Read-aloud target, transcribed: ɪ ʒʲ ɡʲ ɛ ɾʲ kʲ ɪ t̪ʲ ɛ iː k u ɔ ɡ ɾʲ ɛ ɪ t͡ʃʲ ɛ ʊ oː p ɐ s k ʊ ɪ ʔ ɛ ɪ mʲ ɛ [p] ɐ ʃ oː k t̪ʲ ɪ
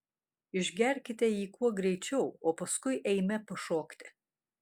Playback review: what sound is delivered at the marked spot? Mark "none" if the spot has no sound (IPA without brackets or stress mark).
p